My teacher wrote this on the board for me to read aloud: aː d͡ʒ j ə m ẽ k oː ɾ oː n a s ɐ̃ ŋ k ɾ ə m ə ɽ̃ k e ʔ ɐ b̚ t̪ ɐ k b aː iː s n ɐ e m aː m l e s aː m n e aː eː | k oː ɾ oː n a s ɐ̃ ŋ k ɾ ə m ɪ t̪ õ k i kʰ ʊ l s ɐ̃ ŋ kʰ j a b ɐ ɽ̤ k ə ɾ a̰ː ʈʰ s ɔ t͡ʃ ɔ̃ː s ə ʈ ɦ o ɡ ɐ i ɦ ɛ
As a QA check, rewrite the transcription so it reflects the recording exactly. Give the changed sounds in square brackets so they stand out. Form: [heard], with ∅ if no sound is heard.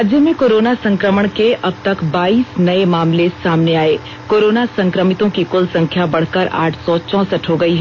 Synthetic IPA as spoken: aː d͡ʒ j ə m ẽ k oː ɾ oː n a s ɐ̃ ŋ k ɾ ə m ə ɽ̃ k e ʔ ɐ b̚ t̪ ɐ k b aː iː s n ɐ e m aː m l e s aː m n e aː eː | k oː ɾ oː n a s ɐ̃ ŋ k ɾ ə m ɪ t̪ õ k i [k] ʊ l s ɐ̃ ŋ kʰ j a b ɐ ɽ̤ k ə ɾ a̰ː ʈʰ s ɔ t͡ʃ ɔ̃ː s ə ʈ ɦ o ɡ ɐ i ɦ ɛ